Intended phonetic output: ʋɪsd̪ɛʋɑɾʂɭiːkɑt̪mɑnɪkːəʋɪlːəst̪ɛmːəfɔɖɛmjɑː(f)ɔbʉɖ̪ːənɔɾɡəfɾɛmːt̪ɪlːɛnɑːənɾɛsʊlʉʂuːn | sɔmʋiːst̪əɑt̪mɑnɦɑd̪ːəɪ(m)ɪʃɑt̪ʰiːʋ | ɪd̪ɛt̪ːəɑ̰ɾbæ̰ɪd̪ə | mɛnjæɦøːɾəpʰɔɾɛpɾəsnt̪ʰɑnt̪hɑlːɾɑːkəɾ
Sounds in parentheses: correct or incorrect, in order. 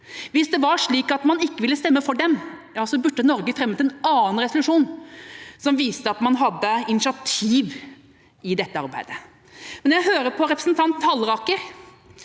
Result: incorrect, incorrect

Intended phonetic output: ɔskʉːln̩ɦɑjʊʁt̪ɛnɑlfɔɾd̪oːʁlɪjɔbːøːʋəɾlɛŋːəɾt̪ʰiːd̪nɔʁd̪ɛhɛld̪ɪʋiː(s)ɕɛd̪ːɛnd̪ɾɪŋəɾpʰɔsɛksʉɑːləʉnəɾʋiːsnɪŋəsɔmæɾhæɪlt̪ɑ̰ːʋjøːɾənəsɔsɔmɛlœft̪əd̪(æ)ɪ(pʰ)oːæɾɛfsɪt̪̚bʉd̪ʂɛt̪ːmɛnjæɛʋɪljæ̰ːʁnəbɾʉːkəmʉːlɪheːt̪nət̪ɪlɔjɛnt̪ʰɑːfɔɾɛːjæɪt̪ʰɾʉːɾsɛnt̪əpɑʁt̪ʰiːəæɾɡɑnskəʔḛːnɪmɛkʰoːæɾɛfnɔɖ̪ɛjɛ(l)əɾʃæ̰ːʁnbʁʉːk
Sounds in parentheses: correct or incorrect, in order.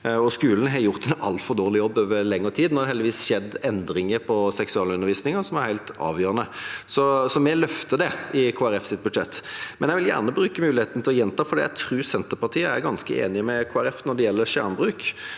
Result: correct, incorrect, incorrect, incorrect

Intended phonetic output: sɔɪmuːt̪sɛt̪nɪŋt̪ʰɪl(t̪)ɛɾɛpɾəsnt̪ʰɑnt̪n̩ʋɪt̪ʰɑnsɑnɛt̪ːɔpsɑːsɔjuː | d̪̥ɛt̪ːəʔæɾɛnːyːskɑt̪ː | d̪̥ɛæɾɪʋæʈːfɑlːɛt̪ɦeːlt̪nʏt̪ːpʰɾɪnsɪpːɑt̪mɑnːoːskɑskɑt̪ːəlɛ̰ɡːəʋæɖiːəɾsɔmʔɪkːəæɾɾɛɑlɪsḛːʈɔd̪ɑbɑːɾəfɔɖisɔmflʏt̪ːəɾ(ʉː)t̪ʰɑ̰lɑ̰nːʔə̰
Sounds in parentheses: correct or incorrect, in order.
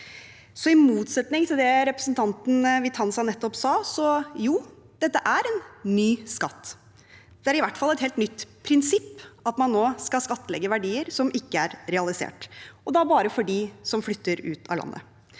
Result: incorrect, correct

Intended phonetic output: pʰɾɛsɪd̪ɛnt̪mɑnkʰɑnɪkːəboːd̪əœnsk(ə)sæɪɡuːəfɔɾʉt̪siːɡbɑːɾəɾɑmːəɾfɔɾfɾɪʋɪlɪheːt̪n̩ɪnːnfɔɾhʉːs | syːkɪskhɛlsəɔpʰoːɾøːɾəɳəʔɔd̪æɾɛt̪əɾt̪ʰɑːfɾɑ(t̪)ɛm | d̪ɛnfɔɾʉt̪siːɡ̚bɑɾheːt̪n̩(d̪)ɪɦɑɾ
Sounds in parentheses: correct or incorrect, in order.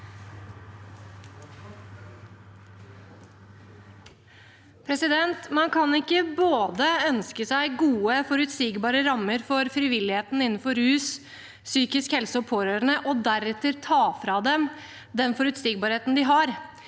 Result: correct, incorrect, correct

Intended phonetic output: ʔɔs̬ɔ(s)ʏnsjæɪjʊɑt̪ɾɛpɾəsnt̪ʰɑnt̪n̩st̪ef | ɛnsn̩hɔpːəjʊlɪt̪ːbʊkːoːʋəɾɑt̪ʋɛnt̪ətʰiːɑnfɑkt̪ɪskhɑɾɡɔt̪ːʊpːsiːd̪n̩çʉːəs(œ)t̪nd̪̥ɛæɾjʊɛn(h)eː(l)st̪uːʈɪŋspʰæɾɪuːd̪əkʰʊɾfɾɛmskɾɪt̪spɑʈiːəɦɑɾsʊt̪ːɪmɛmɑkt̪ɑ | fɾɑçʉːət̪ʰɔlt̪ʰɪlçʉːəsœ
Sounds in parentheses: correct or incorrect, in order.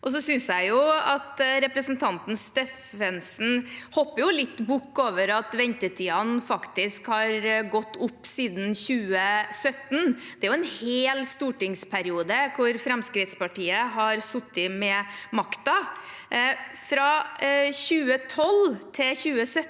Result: correct, correct, correct, correct

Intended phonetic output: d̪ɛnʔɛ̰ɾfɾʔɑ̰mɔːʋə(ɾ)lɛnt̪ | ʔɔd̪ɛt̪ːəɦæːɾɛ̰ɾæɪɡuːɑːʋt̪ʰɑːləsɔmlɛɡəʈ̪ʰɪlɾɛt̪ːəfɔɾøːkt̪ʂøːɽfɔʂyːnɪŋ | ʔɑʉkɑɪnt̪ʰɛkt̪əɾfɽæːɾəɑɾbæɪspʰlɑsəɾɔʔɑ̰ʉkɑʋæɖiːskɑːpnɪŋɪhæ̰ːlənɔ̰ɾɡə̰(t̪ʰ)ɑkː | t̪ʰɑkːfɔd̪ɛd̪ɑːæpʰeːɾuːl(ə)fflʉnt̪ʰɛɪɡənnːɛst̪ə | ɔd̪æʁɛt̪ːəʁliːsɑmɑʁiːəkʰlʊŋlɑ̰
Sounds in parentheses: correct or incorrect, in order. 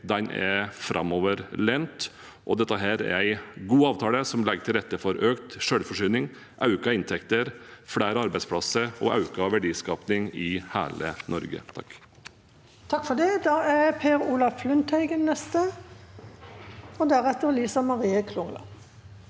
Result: correct, correct, incorrect

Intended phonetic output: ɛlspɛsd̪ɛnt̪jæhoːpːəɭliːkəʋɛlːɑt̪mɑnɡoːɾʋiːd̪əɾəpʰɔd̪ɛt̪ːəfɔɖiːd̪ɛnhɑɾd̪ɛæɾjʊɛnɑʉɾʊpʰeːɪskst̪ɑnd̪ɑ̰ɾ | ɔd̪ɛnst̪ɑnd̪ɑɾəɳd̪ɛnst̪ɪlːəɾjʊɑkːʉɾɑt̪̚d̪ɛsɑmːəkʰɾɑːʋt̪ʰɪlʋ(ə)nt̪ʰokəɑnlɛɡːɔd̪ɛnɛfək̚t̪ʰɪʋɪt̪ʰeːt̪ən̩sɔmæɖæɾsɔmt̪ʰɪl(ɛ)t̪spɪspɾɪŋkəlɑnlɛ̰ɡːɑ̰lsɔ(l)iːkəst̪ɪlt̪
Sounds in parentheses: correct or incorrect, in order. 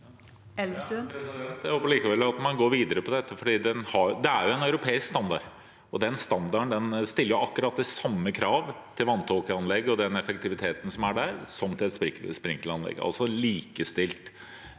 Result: incorrect, correct, correct

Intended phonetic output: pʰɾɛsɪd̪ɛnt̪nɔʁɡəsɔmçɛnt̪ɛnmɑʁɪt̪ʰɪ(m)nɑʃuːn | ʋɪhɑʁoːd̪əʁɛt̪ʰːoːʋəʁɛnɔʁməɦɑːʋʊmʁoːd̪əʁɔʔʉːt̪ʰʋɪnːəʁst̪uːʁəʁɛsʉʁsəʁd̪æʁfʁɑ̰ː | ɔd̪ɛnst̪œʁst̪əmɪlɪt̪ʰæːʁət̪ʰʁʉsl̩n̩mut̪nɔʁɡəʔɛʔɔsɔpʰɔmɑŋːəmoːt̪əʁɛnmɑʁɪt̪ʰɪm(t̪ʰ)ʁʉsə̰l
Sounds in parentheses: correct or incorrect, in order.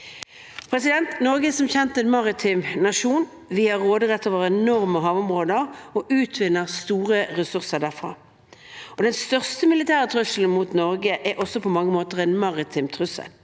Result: correct, correct

